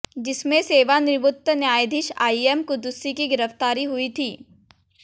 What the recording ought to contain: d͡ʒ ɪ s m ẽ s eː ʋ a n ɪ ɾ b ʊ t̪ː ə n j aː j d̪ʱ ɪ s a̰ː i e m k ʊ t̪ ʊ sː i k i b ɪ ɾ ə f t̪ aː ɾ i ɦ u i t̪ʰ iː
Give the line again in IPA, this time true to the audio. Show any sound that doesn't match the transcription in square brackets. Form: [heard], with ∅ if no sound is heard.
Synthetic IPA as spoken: d͡ʒ ɪ s m ẽ s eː ʋ a n ɪ ɾ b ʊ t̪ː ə n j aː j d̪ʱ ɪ [ʃ] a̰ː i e m k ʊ [d̪] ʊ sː i k i [ɡ] ɪ ɾ ə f t̪ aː ɾ i ɦ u i t̪ʰ iː

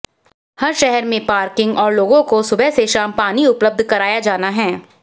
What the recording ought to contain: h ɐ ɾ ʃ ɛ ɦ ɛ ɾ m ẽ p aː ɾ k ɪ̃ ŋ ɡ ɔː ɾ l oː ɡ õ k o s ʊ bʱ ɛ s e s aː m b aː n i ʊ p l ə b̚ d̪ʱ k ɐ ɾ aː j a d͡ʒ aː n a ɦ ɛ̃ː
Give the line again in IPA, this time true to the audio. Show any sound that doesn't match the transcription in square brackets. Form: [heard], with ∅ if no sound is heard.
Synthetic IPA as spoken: h ɐ ɾ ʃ ɛ ɦ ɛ ɾ m ẽ p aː ɾ k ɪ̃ ŋ ɡ ɔː ɾ l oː ɡ õ k o s ʊ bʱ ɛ s e [ʃ] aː m [p] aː n i ʊ p l ə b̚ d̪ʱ k ɐ ɾ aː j a d͡ʒ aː n a ɦ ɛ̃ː

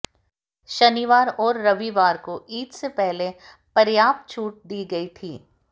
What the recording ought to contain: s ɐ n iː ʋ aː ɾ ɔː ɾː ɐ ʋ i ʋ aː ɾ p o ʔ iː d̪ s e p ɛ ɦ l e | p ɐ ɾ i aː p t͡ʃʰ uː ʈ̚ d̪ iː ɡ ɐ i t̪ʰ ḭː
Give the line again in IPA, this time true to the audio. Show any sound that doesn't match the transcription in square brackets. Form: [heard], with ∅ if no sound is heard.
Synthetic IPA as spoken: [ʃ] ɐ n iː ʋ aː ɾ ɔː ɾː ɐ ʋ i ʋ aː ɾ [k] o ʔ iː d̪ s e p ɛ ɦ l e | p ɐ ɾ [j] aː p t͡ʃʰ uː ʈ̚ d̪ iː ɡ ɐ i t̪ʰ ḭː

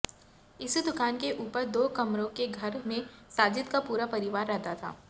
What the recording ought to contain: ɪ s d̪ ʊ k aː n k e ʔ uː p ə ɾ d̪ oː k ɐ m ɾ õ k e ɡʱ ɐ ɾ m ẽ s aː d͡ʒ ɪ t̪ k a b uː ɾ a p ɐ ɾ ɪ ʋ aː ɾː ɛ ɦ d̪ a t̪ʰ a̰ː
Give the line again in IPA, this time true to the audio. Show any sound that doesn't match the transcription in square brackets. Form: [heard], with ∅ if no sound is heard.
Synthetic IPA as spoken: ɪ s d̪ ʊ k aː n k e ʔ uː p ə ɾ d̪ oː k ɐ m ɾ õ k e ɡʱ ɐ ɾ m ẽ s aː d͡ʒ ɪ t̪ k a [p] uː ɾ a p ɐ ɾ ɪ ʋ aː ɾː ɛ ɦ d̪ a t̪ʰ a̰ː

